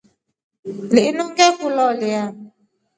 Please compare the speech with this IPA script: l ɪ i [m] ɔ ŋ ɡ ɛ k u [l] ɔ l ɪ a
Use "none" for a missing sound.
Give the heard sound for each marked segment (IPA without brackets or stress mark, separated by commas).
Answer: n, l